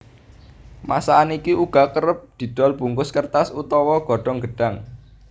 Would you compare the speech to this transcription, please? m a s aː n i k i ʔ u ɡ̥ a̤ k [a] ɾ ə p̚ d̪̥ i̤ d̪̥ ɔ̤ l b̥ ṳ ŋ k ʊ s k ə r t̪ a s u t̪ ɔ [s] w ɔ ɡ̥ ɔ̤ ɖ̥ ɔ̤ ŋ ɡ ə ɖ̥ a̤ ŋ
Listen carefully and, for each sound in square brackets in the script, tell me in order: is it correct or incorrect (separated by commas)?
incorrect, incorrect